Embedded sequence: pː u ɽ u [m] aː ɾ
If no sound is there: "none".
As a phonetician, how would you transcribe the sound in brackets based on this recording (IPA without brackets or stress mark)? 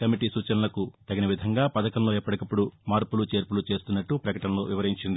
m